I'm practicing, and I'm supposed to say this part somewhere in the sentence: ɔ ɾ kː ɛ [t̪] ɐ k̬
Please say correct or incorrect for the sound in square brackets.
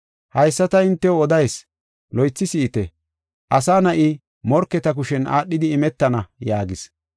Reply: correct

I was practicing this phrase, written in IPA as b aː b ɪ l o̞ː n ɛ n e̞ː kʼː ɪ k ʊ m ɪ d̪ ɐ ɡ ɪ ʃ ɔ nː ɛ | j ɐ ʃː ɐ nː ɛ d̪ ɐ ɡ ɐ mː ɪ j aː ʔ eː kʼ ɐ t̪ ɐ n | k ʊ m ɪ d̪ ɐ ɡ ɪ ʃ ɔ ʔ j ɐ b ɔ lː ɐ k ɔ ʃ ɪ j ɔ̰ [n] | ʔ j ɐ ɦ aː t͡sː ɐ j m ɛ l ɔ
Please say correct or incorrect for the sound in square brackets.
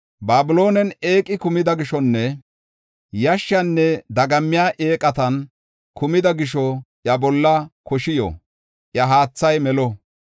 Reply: incorrect: none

